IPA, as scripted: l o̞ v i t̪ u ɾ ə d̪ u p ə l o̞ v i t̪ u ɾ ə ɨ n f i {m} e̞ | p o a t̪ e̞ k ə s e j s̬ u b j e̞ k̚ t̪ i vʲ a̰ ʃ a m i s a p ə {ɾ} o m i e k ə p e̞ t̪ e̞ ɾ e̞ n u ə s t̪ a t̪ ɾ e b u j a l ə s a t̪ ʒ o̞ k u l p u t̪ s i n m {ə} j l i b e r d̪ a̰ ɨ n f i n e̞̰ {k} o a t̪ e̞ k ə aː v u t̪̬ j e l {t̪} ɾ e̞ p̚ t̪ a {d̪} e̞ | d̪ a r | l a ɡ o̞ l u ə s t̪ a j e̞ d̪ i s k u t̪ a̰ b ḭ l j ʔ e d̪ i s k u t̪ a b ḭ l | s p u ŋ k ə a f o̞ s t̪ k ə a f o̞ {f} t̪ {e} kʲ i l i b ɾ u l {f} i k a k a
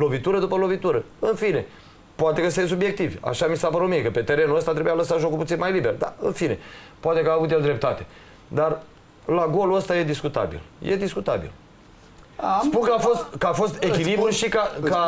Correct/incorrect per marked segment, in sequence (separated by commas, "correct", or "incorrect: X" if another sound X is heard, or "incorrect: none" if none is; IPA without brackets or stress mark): incorrect: n, correct, incorrect: a, incorrect: p, incorrect: d̪, incorrect: t̪, incorrect: s, correct, incorrect: ʃ